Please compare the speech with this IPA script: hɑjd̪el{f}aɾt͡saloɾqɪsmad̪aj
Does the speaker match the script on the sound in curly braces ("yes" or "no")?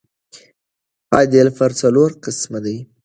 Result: yes